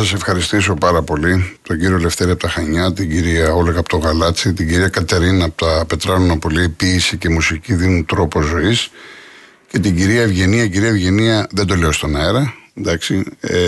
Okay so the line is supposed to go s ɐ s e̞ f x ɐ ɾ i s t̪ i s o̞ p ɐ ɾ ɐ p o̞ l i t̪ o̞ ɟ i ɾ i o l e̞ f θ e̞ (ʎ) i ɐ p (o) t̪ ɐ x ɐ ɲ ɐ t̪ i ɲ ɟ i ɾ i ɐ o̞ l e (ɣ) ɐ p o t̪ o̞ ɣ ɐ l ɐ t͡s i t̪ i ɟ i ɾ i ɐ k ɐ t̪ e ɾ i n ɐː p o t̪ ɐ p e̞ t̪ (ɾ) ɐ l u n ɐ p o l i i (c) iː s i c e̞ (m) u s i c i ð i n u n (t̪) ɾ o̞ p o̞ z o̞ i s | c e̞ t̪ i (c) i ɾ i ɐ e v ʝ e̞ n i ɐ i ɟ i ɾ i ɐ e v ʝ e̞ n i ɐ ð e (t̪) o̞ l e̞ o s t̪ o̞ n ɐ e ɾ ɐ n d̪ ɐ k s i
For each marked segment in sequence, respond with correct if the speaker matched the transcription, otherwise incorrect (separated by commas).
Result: incorrect, correct, correct, correct, incorrect, correct, correct, incorrect, incorrect